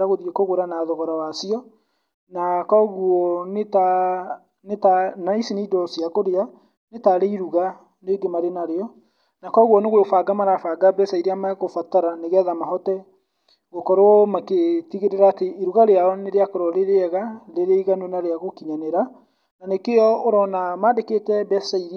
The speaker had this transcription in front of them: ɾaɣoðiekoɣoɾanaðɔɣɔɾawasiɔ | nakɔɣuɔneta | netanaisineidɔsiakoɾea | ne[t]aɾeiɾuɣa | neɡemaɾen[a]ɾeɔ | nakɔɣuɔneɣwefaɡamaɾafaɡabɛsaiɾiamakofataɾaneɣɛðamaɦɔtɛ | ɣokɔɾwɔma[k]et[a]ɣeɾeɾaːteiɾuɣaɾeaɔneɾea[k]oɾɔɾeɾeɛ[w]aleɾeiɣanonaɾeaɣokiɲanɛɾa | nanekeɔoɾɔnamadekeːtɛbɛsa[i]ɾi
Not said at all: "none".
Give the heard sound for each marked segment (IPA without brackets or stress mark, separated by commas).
t, a, k, i, k, ɣ, i